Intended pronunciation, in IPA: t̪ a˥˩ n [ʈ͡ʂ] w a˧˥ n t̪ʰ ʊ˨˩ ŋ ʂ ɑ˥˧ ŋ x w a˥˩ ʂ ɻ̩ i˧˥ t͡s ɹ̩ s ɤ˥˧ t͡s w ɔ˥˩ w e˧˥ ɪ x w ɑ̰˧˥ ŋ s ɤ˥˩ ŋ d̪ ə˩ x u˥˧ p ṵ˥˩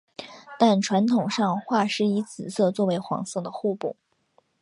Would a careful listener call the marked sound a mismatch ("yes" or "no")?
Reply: yes